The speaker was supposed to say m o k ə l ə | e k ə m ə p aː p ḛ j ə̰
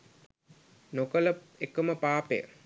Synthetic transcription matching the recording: n o k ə l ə | e k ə m ə p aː p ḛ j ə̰